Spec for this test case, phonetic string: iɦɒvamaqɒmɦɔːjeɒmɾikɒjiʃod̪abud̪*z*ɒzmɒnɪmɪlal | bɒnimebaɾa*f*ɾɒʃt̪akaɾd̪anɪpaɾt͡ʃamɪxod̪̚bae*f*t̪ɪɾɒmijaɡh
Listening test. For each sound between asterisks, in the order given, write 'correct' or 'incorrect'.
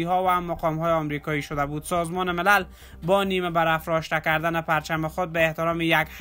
incorrect: s, correct, incorrect: h

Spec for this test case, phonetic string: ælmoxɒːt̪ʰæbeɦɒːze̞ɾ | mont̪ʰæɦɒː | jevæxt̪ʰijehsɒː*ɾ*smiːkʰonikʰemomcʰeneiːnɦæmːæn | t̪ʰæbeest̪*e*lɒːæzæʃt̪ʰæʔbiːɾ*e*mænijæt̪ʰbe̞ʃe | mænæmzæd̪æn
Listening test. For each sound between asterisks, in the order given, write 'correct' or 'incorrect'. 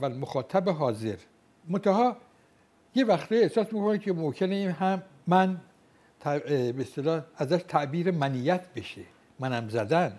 incorrect: none, correct, correct

